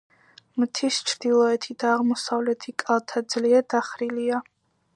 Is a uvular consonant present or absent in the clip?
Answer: present